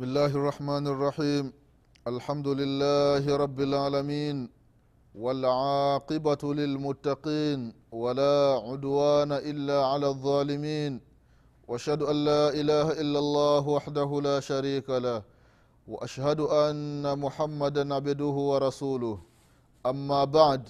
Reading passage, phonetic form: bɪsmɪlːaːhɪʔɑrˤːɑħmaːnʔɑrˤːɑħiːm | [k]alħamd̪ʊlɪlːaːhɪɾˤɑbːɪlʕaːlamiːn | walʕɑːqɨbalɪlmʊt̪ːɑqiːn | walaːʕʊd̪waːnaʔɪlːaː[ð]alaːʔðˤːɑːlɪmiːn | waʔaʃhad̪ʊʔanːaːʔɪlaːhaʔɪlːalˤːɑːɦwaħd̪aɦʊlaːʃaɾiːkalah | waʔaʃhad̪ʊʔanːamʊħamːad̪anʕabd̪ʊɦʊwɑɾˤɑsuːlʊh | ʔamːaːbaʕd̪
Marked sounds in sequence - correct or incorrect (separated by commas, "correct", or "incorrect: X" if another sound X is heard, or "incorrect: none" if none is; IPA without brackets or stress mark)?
incorrect: ʔ, incorrect: ʕ